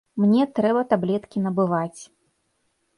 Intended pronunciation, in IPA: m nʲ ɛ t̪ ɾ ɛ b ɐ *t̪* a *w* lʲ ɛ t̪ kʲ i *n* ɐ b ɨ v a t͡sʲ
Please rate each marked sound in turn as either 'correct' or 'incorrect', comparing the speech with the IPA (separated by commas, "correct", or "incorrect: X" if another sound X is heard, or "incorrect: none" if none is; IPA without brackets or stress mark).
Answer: correct, incorrect: b, correct